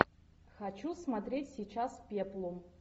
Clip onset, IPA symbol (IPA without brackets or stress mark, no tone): x